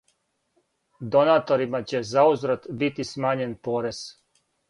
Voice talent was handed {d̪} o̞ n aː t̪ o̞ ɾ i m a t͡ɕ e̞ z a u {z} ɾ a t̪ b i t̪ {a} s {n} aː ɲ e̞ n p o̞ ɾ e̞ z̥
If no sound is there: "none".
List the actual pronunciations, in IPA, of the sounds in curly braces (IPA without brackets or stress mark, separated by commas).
d̪, z, i, m